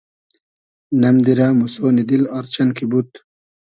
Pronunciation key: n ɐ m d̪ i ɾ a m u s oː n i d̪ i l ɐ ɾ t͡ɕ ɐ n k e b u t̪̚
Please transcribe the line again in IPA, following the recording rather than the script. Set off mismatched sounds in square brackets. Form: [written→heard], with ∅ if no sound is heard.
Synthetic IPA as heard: n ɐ m d̪ i ɾ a m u s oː n i d̪ i l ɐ ɾ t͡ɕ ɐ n k [e→i] b u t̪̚